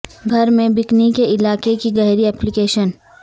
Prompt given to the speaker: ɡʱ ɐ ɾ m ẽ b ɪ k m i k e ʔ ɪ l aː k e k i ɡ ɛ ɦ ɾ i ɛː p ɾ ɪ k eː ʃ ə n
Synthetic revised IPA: ɡʱ ɐ ɾ m ẽ b ɪ k n i k e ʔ ɪ l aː k e k i ɡ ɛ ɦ ɾ i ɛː p l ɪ k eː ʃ ə n